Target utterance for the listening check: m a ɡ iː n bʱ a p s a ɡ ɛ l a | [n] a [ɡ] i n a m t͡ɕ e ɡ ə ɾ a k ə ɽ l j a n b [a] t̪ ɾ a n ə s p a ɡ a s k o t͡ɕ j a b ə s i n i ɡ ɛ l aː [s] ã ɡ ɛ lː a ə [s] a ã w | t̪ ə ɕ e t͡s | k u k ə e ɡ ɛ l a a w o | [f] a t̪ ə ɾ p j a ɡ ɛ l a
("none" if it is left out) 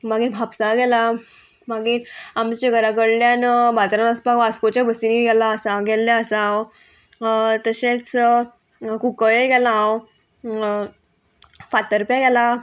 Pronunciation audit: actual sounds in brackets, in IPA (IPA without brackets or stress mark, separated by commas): m, ɡ, a, s, s, f